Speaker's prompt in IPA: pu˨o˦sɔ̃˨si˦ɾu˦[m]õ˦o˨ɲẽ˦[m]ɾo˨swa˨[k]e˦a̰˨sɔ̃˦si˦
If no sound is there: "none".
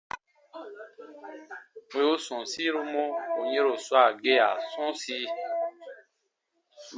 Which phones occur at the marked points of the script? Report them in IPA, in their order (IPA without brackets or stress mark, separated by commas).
m, none, ɡ